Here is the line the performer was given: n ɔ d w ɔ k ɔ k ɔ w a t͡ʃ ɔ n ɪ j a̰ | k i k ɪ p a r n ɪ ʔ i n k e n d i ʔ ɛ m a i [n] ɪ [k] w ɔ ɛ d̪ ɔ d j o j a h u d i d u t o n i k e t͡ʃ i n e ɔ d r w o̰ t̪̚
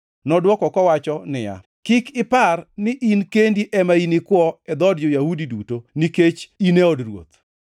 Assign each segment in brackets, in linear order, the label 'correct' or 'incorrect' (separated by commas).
correct, correct